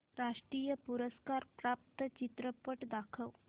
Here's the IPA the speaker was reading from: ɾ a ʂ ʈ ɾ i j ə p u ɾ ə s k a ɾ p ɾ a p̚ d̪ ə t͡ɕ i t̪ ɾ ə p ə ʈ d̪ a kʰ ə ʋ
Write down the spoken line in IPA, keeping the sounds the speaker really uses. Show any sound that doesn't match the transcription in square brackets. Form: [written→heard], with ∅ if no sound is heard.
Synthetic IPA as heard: ɾ a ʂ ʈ ɾ i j ə p u ɾ ə s k a ɾ p ɾ a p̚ [d̪→t̪] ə t͡ɕ i t̪ ɾ ə p ə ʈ d̪ a kʰ ə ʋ